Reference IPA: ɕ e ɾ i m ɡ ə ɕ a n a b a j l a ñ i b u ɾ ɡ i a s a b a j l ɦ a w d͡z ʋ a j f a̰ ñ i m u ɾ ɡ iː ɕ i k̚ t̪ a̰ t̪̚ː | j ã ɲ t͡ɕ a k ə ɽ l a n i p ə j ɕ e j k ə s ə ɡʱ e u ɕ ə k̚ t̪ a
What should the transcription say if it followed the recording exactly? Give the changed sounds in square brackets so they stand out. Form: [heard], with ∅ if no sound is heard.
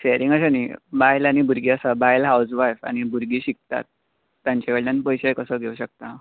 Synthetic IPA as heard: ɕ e ɾ i [ŋ] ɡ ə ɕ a n [i] b a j l a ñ i b u ɾ ɡ i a s a b a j l ɦ a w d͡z ʋ a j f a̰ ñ i [b] u ɾ ɡ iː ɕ i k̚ t̪ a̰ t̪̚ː | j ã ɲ t͡ɕ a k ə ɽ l a n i p ə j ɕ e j k ə s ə ɡʱ e u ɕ ə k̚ t̪ a